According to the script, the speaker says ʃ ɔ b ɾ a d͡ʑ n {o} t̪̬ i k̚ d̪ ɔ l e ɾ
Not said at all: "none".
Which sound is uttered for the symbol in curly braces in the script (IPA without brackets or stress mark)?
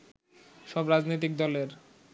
o